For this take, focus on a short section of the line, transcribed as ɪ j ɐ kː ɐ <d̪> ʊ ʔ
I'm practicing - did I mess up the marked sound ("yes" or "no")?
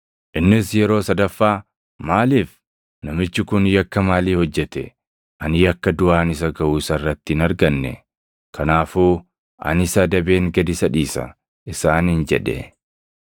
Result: no